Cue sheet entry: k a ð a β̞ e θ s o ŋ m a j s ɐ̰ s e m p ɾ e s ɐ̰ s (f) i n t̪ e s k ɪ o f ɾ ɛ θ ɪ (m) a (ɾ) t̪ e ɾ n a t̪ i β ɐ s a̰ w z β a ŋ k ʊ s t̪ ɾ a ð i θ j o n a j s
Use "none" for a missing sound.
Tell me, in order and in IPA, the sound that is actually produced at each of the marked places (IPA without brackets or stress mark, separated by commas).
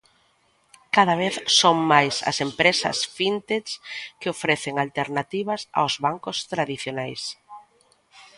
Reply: f, ŋ, l